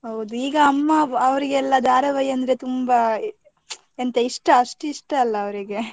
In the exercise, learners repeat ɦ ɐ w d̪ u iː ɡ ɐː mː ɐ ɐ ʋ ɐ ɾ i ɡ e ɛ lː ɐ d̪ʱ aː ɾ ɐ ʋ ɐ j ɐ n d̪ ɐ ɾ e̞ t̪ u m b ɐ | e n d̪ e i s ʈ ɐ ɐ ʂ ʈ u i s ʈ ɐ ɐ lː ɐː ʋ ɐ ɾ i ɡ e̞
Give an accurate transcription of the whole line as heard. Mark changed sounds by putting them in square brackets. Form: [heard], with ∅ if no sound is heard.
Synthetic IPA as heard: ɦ ɐ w d̪ u iː ɡ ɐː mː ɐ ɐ ʋ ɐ ɾ i ɡ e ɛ lː ɐ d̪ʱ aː ɾ ɐ ʋ ɐ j ɐ n d̪ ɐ ɾ e̞ t̪ u m b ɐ | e n [t̪] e i [ʂ] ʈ ɐ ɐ ʂ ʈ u i [ʂ] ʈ ɐ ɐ lː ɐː ʋ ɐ ɾ i ɡ e̞

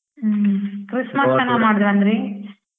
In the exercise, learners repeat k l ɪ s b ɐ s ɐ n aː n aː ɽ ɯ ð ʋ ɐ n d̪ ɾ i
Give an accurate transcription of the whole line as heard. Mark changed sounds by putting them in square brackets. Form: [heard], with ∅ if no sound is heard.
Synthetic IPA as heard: k [ɾ] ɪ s [m] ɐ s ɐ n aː [m] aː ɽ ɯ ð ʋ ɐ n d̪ ɾ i

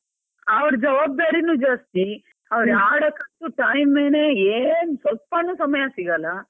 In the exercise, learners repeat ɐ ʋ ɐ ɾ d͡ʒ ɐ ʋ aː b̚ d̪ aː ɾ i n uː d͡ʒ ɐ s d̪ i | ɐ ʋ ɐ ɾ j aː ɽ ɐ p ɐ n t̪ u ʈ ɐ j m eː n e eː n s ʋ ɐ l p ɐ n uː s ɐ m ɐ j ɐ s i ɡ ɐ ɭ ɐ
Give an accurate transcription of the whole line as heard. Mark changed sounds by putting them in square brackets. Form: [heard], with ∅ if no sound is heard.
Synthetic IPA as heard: ɐ ʋ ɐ ɾ d͡ʒ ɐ ʋ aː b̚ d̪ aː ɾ i n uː d͡ʒ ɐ s [t̪] i | ɐ ʋ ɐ ɾ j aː ɽ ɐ [k] ɐ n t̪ u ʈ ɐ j m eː n e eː n s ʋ ɐ l p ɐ n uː s ɐ m ɐ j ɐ s i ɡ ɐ [l] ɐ

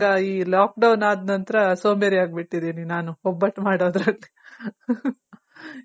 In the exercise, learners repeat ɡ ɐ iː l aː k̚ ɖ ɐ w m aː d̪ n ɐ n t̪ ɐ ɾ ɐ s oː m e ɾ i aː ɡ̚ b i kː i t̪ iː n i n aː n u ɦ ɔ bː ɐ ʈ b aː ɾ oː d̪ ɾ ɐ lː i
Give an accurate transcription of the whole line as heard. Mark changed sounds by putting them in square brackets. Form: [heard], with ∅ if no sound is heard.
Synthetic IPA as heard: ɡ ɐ iː l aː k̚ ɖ ɐ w [n] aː d̪ n ɐ n t̪ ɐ ɾ ɐ s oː m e ɾ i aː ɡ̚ b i [ʈː] i [d̪] iː n i n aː n u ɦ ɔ bː ɐ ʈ [m] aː [ɽ] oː d̪ ɾ ɐ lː i

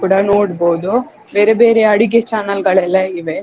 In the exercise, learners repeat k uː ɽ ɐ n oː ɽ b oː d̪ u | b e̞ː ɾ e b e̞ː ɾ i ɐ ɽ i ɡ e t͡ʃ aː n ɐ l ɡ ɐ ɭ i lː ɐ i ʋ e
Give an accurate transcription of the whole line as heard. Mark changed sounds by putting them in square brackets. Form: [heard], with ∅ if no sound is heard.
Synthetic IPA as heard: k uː ɽ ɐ n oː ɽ b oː d̪ u | b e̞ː ɾ e b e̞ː ɾ [e] ɐ ɽ i ɡ e t͡ʃ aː n ɐ l ɡ ɐ ɭ [ɛ] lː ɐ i ʋ e

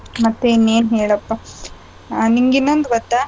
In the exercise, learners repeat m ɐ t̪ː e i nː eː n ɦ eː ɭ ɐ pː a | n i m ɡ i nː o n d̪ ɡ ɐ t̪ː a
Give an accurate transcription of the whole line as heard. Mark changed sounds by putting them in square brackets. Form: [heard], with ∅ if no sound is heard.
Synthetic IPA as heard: m ɐ t̪ː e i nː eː n ɦ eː ɭ ɐ pː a | n i [ŋ] ɡ i nː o n d̪ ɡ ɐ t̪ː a

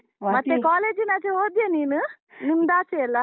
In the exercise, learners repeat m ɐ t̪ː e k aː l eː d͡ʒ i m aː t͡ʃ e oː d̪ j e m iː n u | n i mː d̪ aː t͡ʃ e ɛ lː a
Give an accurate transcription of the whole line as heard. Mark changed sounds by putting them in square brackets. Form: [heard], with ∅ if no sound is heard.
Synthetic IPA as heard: m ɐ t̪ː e k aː l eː d͡ʒ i [n] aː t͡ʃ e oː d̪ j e [n] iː n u | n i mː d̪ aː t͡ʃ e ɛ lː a

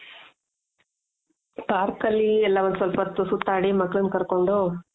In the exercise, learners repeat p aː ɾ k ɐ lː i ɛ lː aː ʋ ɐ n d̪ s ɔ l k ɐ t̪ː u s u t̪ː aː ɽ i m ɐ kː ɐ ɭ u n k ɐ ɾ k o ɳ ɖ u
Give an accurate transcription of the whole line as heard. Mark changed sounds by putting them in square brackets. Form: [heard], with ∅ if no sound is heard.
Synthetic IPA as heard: p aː ɾ k ɐ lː i ɛ lː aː ʋ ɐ n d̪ s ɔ l [p] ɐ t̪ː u s u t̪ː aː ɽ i m ɐ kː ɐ ɭ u n k ɐ ɾ k o ɳ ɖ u

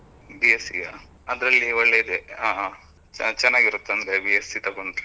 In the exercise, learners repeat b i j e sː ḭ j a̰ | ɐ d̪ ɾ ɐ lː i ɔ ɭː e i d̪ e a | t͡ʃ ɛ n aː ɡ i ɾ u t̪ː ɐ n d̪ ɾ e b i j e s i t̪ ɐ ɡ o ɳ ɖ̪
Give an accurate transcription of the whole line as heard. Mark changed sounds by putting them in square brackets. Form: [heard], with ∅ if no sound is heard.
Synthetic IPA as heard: b i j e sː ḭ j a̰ | ɐ d̪ ɾ ɐ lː i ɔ ɭː e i d̪ e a | t͡ʃ ɛ [nː] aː ɡ i ɾ u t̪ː ɐ n d̪ ɾ e b i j e s i t̪ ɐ ɡ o ɳ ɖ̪

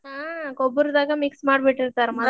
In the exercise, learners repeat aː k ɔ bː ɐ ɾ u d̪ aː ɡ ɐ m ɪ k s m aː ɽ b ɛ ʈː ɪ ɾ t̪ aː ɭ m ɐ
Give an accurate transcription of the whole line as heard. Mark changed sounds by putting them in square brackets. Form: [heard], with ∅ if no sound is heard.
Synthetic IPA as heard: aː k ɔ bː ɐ ɾ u d̪ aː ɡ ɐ m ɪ k s m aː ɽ b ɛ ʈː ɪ ɾ t̪ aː [ɾ] m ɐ

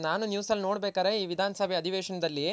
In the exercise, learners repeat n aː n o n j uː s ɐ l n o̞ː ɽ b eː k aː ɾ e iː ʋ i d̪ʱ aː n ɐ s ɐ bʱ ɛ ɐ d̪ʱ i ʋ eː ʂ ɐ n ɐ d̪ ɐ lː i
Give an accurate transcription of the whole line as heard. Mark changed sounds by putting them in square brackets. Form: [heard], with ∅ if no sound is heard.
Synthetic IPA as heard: n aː n [u] n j uː s ɐ l n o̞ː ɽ b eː k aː ɾ e iː ʋ i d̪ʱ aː n ɐ s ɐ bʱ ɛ ɐ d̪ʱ i ʋ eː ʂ ɐ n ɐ d̪ ɐ lː i

